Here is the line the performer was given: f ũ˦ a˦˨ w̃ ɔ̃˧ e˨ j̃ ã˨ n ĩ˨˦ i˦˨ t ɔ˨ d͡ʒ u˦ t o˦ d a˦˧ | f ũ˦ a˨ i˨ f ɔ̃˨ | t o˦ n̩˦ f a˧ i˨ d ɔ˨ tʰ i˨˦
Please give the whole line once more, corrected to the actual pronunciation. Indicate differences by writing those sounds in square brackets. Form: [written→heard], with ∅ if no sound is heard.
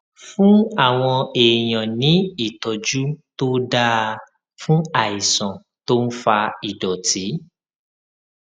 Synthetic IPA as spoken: f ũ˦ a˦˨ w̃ ɔ̃˧ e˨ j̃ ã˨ n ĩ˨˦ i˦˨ t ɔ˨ d͡ʒ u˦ t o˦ d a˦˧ | f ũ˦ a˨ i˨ [f→s] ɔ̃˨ | t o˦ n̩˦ f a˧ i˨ d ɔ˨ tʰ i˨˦